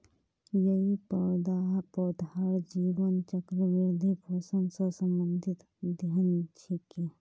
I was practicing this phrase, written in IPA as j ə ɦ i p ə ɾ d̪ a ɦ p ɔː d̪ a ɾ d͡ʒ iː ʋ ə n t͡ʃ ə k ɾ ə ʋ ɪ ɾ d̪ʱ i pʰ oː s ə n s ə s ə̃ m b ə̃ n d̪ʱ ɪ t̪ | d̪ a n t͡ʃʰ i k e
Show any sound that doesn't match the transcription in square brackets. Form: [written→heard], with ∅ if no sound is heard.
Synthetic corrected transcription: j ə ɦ i p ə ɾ d̪ a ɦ p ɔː d̪ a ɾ d͡ʒ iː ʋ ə n t͡ʃ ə k ɾ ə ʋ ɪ ɾ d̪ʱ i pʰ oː s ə n s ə s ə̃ m b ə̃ n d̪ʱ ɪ t̪ | d̪ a n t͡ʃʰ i k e